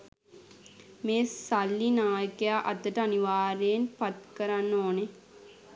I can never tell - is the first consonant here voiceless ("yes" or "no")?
no